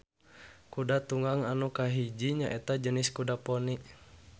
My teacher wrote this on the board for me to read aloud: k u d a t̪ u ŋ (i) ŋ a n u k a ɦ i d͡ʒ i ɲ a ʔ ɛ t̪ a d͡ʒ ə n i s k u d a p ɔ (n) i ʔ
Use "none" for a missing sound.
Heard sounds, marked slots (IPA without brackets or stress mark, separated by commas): a, n